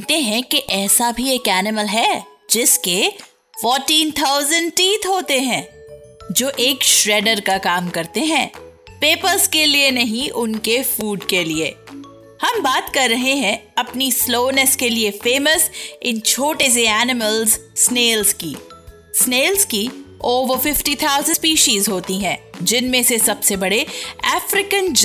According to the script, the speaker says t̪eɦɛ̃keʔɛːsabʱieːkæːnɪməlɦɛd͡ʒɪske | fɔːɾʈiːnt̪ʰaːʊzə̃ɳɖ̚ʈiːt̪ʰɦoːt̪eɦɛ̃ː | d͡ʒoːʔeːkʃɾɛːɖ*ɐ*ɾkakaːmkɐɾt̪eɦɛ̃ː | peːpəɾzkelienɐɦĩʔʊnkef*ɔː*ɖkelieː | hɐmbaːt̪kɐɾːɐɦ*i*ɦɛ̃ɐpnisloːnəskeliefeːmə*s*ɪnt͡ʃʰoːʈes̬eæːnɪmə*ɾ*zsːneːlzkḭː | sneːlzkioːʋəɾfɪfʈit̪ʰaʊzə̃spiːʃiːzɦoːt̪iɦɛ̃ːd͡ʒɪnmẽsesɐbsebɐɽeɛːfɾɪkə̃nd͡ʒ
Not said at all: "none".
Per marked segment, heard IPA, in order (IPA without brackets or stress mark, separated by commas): ə, uː, e, s, l